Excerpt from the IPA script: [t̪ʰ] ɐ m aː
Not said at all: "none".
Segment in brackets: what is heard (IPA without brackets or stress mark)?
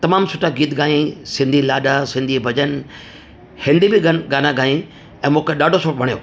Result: t̪